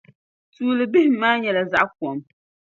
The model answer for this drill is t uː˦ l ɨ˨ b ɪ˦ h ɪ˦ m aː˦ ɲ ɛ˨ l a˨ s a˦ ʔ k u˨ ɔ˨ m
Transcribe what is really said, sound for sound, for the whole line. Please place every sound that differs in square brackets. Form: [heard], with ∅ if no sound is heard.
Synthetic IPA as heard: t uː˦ l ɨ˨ b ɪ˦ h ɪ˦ m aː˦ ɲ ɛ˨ l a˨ [z] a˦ ʔ k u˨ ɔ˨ m